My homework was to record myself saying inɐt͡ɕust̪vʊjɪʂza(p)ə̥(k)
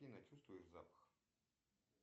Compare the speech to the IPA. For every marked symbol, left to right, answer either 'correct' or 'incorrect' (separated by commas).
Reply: correct, incorrect